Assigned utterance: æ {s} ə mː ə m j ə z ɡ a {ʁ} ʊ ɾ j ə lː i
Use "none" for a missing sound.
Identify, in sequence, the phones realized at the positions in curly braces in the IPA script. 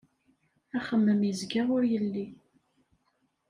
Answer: χ, ʁ

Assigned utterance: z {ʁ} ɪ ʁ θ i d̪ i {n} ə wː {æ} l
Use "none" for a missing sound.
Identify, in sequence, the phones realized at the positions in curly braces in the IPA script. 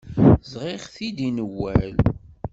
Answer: ʁ, n, æ

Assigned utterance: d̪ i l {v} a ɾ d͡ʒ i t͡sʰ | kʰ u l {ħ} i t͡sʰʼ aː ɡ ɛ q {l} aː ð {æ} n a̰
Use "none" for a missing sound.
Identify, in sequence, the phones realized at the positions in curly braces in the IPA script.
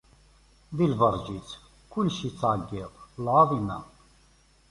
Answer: v, ʃ, l, i

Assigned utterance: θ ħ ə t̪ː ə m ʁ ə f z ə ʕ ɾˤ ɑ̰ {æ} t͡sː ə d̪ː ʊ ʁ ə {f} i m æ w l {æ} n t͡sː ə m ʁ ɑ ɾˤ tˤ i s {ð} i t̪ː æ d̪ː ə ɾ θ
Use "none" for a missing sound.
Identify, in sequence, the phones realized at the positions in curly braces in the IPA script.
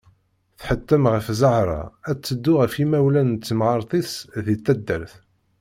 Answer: æ, f, æ, ð

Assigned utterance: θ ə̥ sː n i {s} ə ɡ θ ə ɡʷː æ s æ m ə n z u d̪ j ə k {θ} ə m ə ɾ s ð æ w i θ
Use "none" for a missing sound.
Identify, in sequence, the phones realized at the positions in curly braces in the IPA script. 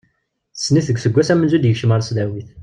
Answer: θ, ʃ

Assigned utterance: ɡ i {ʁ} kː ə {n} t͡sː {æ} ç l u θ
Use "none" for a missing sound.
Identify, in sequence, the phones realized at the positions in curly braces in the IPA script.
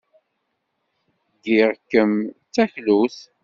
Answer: ʁ, m, æ

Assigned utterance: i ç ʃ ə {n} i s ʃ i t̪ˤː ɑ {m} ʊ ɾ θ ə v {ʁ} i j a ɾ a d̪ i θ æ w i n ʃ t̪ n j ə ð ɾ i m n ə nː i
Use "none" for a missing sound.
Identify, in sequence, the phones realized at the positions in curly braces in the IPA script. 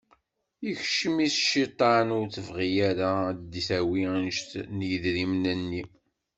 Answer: m, n, ʁ

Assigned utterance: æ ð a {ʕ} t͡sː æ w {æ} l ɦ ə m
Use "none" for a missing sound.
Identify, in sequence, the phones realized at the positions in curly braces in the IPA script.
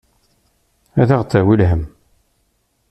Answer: ʁ, i

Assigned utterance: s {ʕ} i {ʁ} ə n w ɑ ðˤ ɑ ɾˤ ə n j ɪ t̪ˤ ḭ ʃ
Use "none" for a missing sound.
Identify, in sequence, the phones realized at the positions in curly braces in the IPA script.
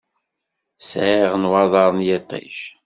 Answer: ʕ, ʁ

